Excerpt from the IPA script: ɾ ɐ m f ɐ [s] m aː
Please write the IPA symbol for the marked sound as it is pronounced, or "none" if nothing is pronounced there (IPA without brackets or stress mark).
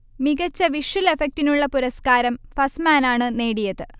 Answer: s